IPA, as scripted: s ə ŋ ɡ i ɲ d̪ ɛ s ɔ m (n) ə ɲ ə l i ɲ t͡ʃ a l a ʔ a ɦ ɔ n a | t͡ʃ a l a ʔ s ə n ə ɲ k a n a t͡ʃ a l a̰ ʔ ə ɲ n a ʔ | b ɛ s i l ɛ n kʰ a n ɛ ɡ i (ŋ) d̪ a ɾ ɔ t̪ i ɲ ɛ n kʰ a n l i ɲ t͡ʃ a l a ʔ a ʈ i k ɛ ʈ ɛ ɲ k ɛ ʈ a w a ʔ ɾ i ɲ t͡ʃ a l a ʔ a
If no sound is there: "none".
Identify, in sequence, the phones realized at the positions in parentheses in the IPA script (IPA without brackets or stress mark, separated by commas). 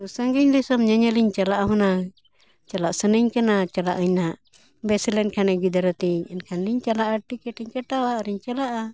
ɲ, none